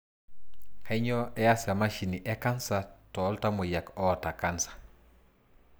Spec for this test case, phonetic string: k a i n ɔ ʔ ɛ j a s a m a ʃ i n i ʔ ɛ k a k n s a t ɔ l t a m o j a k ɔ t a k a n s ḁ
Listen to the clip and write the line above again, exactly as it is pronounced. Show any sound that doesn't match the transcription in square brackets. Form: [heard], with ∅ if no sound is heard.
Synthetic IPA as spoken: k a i [ɲ] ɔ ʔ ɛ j a s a m a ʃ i n i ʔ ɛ k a [∅] n s a t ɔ l t a m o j a k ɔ t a k a n s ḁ